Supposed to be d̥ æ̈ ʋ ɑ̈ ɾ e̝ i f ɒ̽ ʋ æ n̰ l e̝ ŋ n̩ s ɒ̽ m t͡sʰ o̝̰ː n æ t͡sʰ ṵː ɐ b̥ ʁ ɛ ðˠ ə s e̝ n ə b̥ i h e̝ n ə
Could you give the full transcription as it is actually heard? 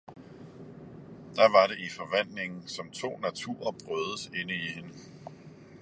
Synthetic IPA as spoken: d̥ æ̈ ʋ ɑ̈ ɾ e̝ i f ɒ̽ ʋ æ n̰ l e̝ ŋ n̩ s ɒ̽ m t͡sʰ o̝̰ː n æ t͡sʰ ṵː ɐ b̥ ʁ œ ðˠ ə s e̝ n ə i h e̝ n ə

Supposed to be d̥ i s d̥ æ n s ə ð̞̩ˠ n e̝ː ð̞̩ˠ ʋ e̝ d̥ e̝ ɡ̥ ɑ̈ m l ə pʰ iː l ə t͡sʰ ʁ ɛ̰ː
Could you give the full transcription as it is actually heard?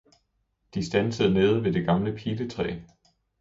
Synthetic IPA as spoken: d̥ i s d̥ æ n s ə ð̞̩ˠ n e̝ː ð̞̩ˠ ʋ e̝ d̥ e̝ ɡ̥ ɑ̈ m l ə pʰ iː l ə t͡sʰ ʁ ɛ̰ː

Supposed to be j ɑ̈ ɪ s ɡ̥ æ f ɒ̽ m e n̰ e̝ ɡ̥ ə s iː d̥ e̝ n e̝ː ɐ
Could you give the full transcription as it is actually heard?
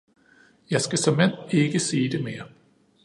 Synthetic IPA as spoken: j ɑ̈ ɪ s ɡ̥ æ s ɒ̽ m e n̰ e̝ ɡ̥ ə s iː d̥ e̝ m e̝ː ɐ

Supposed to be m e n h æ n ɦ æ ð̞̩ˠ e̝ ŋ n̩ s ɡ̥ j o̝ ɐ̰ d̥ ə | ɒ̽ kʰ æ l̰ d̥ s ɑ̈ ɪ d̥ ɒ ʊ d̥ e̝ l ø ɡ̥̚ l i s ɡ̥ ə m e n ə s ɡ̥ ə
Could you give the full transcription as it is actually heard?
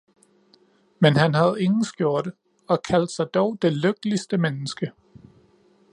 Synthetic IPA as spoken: m e n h æ n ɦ æ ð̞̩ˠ e̝ ŋ n̩ s ɡ̥ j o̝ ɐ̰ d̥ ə | ɒ̽ kʰ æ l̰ d̥ s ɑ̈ ɪ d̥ ɒ ʊ d̥ e̝ l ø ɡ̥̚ l i s d̥ ə m e n ə s ɡ̥ ə

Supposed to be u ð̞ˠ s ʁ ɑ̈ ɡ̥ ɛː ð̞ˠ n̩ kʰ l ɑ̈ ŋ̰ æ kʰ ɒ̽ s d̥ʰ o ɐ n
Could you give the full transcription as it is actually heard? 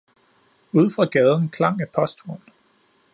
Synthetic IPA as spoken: u ð̞ˠ f ʁ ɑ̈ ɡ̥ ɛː ð̞ˠ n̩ kʰ l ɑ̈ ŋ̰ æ pʰ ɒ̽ s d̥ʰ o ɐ n

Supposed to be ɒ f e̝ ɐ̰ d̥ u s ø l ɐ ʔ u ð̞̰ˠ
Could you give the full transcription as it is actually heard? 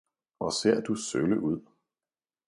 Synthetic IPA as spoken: ɒ s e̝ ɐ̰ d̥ u s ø l ə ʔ u ð̞̰ˠ

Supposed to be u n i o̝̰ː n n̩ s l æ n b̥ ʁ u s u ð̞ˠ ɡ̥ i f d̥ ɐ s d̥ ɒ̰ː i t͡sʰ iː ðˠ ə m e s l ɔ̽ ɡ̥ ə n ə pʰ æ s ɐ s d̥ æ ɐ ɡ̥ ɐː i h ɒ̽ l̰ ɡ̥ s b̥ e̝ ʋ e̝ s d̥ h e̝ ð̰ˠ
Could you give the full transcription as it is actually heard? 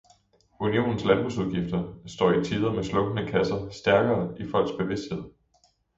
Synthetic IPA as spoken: u n i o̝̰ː n n̩ s l æ n b̥ ʁ u s u ð̞ˠ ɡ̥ i f d̥ ɐ s d̥ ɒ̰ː i t͡sʰ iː ðˠ ɐ m e s l ɔ̽ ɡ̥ ə n ə kʰ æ s ɐ s d̥ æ ɐ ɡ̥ ɐː i f ɒ̽ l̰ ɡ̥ s b̥ e̝ ʋ e̝ s d̥ h e̝ ð̰ˠ

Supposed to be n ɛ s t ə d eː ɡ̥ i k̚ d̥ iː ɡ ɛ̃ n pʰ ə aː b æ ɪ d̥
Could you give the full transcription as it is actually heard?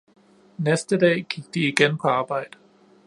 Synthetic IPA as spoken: n ɛ s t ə d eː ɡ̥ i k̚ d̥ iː ɡ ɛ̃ n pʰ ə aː b a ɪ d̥

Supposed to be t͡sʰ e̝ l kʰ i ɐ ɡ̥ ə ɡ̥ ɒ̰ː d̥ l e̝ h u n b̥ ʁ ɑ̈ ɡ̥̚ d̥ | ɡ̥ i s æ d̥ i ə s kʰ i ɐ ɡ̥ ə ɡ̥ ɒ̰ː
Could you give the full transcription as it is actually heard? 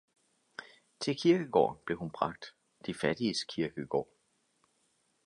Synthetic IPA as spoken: t͡sʰ e̝ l kʰ i ɐ ɡ̥ ə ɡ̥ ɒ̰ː b̥ l e̝ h u n b̥ ʁ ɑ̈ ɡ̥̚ d̥ | d̥ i f æ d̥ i ə s kʰ i ɐ ɡ̥ ə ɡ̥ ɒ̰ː

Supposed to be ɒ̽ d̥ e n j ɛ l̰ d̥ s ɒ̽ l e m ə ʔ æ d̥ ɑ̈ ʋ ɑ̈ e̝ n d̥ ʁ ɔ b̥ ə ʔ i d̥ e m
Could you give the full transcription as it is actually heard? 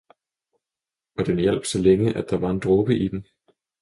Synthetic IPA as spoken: ɒ̽ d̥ e n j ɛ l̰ b̥ s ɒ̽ l e ŋ ə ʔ æ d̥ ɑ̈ ʋ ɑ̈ e̝ n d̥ ʁ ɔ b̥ ə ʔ i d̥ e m

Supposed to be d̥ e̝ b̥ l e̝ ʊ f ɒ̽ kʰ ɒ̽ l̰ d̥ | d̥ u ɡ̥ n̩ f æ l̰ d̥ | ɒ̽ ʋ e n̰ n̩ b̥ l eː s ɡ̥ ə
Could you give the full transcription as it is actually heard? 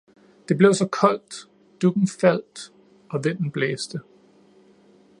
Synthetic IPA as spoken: d̥ e̝ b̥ l e̝ ʊ s ɒ̽ kʰ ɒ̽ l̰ d̥ | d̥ u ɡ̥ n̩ f æ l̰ d̥ | ɒ̽ ʋ e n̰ n̩ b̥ l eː s d̥ ə

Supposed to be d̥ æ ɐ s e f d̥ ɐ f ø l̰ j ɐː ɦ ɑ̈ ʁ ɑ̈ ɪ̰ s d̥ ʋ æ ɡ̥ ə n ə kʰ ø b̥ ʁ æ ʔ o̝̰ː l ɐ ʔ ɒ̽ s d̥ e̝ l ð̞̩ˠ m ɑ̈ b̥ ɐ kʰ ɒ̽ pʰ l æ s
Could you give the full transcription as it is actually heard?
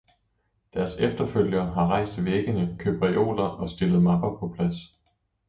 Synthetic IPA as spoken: d̥ æ ɐ s e f d̥ ɐ f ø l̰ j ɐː ɦ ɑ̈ ʁ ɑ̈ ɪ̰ s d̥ ʋ e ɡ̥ ə n ə kʰ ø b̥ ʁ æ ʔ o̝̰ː l ɐ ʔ ɒ̽ s d̥ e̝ l ð̞̩ˠ m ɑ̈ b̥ ɐ pʰ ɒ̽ pʰ l æ s

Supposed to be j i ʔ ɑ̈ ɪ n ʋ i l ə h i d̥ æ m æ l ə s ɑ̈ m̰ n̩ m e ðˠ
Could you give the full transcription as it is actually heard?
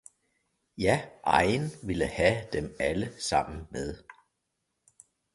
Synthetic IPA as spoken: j æ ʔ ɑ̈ ɪ n ʋ i l ə h æ d̥ e m æ l ə s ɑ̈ m̰ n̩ m e ðˠ

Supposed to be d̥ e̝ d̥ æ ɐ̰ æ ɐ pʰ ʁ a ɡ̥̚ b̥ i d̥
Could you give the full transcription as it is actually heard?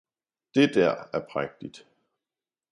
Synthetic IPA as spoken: d̥ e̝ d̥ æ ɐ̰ æ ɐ pʰ ʁ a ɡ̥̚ d̥ i d̥

